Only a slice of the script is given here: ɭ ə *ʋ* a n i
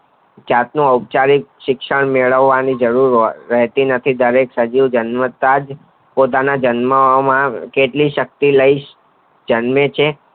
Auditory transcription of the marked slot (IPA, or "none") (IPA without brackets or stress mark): ʋː